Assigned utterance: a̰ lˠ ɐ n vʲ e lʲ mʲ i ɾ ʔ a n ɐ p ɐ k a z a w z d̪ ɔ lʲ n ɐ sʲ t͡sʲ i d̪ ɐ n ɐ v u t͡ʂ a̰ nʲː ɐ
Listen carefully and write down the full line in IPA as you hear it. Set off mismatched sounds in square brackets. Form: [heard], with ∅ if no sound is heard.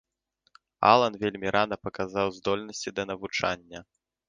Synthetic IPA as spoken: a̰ lˠ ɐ n vʲ e lʲ mʲ i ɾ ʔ a n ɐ p ɐ k a z a w z d̪ ɔ lʲ n ɐ sʲ t͡sʲ i d̪ ɐ n ɐ v u t͡ʂ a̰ nʲː ɐ

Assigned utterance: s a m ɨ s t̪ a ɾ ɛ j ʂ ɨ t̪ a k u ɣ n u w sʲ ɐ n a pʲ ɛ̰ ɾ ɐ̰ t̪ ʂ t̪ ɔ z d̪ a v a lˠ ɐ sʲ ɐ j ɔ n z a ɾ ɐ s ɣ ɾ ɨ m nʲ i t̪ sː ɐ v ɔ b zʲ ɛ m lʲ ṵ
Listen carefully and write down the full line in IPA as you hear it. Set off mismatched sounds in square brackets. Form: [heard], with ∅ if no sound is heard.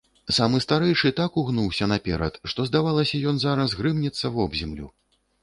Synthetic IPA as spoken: s a m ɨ s t̪ a ɾ ɛ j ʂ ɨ t̪ a k u ɣ n u w sʲ ɐ n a pʲ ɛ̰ ɾ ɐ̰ t̪ ʂ t̪ ɔ z d̪ a v a lˠ ɐ sʲ ɐ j ɔ n z a ɾ ɐ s ɣ ɾ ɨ m nʲ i t̪ sː ɐ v ɔ b zʲ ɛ m lʲ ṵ

